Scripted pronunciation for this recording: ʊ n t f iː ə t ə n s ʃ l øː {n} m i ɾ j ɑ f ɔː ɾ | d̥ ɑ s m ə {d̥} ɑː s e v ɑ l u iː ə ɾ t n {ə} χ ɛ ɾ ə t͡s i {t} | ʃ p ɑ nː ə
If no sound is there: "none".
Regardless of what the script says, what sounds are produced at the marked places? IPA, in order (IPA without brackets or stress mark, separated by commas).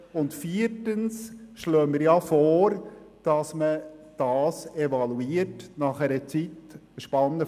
none, d̥, ɑ, t